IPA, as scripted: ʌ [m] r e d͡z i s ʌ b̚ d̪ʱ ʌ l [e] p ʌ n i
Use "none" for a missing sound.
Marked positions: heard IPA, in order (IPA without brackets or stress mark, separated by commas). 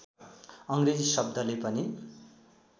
ŋ, e